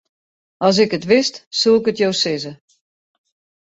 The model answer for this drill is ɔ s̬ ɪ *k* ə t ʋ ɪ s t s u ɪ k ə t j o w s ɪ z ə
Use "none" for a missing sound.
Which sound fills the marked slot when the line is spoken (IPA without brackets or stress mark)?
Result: k